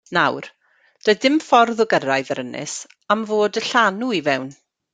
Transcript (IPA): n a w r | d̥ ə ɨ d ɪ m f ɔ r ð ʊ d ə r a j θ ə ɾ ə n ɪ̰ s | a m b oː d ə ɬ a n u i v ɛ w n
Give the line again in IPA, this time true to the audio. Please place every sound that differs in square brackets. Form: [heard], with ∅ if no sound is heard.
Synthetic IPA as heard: n a w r | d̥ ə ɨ d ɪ m f ɔ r ð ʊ [ɡ] ə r a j [ð] ə ɾ ə n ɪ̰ s | a m [v] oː d ə ɬ a n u i v ɛ w n